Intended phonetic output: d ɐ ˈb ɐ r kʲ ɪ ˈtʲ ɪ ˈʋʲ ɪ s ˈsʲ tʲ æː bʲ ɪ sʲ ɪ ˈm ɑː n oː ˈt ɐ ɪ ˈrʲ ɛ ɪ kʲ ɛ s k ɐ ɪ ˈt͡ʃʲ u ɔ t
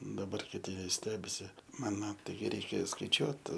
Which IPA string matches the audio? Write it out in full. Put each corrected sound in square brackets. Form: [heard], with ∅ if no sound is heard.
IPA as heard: d ɐ ˈb ɐ r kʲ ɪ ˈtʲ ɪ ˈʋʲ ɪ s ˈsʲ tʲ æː bʲ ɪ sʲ ɪ ˈm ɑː n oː ˈt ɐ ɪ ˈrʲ ɛ ɪ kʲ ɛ s k ɐ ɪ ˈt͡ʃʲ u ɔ t